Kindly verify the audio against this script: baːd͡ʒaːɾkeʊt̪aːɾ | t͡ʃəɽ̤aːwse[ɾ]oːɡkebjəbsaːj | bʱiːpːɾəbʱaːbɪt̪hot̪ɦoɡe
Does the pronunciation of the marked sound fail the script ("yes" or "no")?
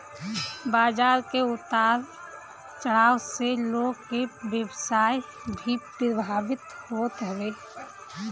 yes